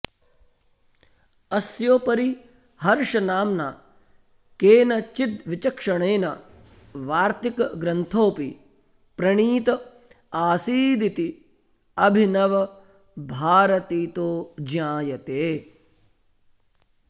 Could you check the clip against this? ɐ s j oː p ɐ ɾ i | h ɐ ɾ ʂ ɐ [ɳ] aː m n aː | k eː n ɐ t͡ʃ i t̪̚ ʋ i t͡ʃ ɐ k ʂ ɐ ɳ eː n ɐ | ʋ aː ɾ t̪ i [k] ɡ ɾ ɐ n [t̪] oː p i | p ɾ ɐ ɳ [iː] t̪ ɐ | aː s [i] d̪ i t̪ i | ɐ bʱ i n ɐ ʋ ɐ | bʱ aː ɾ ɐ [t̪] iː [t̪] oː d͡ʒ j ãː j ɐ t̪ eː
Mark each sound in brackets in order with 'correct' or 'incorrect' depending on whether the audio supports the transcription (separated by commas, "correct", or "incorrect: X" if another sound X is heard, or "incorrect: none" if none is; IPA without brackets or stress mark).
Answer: incorrect: n, correct, incorrect: t̪ʰ, correct, incorrect: iː, correct, correct